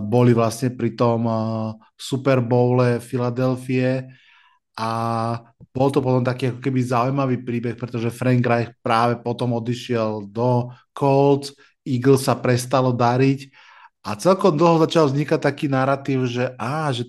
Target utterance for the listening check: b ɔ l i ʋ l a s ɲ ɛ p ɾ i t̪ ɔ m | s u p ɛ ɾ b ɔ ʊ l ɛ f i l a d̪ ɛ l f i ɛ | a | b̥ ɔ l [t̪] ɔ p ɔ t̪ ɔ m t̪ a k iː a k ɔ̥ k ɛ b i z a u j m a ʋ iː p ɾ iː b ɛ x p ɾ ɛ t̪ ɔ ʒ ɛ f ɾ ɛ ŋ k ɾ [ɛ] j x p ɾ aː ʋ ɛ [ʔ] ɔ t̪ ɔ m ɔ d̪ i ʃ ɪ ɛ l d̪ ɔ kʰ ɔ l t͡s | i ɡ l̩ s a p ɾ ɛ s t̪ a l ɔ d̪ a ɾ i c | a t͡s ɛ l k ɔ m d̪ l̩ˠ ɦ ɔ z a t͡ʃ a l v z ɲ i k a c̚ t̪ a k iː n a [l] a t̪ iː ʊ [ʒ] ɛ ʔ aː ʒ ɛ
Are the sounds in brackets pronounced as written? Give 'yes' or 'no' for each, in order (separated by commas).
yes, no, no, no, yes